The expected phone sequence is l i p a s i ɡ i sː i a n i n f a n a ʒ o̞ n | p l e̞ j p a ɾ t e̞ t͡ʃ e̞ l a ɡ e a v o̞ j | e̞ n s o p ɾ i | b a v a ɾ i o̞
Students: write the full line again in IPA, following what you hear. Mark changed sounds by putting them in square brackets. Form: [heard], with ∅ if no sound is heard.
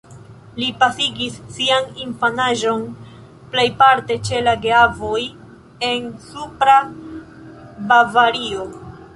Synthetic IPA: l i p a s i ɡ i sː i a n i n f a n a ʒ o̞ n | p l e̞ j p a ɾ t e̞ t͡ʃ e̞ l a ɡ e a v o̞ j | e̞ n s [u] p ɾ [a] | b a v a ɾ i o̞